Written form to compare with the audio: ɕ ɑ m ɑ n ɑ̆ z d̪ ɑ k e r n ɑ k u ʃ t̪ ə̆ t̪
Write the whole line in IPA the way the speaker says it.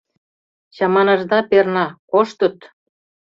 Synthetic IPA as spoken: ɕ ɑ m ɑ n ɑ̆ ʒ d̪ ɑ p e r n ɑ k o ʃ t̪ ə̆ t̪